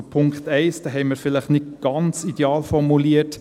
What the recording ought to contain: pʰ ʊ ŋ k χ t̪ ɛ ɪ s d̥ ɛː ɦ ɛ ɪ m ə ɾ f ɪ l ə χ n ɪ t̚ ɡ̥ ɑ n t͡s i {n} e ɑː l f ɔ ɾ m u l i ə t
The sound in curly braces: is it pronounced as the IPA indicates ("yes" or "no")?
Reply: no